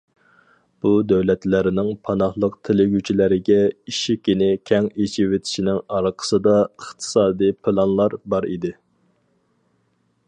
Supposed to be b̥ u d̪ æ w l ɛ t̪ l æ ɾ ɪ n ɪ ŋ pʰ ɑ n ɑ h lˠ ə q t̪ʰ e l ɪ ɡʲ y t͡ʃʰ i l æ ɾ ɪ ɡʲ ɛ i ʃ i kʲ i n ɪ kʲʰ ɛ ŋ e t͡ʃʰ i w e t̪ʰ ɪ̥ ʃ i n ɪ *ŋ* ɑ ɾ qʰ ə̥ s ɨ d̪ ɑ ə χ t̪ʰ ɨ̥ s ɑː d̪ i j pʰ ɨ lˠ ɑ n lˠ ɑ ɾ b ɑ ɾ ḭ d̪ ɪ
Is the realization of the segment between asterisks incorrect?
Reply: no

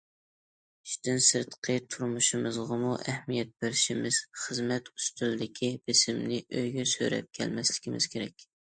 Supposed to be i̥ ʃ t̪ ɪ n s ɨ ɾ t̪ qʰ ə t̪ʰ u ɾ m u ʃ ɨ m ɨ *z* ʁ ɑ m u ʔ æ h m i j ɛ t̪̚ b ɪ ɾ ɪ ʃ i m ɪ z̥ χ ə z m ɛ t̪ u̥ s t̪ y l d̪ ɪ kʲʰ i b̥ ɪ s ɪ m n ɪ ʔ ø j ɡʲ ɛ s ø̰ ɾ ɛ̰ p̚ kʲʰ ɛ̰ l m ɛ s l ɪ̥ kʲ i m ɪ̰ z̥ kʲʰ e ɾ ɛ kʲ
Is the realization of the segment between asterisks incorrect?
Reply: no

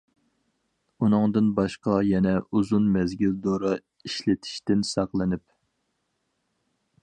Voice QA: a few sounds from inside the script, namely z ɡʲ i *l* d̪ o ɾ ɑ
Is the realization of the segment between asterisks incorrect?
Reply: no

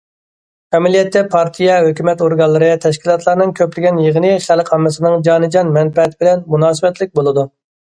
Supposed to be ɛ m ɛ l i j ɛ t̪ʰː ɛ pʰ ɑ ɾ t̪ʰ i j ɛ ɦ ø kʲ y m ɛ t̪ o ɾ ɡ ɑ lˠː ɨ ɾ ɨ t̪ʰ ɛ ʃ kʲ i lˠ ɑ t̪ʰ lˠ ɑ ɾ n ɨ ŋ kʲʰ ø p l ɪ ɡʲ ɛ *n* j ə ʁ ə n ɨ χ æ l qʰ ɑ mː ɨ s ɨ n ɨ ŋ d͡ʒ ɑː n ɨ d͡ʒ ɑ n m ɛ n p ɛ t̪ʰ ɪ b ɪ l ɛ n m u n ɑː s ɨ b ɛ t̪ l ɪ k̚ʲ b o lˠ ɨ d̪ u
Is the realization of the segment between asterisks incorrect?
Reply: no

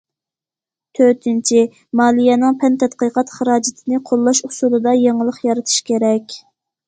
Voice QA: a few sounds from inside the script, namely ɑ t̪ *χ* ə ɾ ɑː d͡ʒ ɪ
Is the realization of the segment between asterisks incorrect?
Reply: no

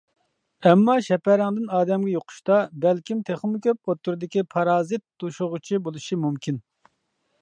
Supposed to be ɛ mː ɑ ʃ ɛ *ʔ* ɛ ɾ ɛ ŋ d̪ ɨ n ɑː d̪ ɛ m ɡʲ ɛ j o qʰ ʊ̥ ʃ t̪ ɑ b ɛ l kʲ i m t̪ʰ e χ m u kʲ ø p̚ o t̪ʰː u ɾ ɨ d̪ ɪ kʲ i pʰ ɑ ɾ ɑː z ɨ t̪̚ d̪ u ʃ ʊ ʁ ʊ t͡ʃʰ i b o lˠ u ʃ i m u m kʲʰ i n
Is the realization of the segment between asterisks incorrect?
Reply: yes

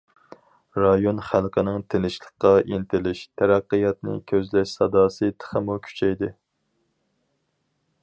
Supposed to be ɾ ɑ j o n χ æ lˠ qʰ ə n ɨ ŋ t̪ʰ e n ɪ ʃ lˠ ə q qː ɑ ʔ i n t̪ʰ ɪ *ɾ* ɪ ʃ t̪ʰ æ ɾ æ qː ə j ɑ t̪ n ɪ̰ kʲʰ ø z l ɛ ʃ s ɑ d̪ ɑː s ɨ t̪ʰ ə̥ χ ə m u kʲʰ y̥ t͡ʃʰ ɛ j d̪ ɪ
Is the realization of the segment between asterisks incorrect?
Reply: yes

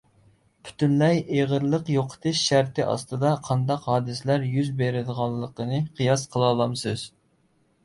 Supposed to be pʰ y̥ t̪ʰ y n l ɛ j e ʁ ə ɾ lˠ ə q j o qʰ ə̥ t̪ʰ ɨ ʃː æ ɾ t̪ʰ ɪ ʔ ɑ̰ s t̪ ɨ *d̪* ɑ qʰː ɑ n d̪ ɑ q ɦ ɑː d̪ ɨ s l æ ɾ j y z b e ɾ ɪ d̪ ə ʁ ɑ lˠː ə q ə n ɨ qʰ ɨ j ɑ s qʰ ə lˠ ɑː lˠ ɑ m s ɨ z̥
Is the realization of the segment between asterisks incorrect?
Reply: no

